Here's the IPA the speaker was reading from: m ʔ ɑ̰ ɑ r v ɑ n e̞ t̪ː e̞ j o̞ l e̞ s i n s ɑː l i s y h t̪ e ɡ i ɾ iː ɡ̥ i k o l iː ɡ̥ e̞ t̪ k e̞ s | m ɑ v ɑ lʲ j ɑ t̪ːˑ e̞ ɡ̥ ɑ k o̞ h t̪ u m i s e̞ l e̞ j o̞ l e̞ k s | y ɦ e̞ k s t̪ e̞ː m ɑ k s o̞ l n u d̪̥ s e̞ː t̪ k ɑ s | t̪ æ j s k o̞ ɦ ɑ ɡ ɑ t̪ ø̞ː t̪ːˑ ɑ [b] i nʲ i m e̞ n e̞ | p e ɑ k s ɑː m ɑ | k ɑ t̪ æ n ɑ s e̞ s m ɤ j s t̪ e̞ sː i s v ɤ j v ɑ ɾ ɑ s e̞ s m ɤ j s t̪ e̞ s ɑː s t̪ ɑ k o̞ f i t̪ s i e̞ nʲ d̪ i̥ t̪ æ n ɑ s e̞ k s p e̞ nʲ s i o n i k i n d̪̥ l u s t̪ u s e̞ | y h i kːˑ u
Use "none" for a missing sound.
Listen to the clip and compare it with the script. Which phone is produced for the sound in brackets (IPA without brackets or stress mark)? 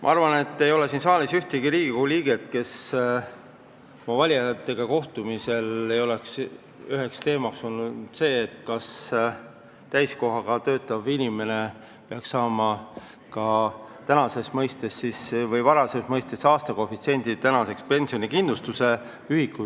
v